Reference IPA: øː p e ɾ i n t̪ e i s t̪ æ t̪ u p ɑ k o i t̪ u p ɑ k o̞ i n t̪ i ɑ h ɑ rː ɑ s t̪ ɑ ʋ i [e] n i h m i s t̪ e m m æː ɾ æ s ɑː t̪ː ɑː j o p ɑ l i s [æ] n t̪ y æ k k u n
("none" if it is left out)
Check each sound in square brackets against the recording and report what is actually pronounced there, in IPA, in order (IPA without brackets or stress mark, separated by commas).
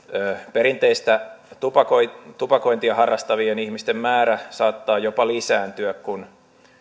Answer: e, æː